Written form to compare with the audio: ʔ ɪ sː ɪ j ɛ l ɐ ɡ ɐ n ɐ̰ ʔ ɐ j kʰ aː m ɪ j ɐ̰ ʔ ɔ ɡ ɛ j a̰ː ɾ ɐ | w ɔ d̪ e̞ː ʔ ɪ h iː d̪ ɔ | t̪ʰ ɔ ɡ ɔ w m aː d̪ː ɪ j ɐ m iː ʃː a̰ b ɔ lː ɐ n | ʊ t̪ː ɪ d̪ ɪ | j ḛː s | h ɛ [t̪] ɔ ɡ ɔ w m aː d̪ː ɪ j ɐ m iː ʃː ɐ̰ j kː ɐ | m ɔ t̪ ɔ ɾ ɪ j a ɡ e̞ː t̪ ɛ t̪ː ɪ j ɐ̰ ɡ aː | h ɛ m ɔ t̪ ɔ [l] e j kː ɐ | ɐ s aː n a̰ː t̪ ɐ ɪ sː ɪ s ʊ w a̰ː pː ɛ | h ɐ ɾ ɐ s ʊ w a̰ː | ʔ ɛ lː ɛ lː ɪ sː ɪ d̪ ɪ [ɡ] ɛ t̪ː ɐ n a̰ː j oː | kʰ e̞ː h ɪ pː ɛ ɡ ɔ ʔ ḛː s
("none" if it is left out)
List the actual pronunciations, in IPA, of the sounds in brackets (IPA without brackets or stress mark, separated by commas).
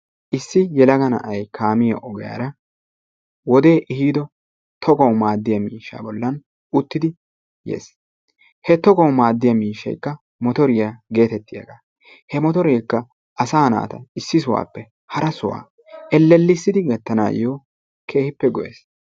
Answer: t̪, ɾ, ɡ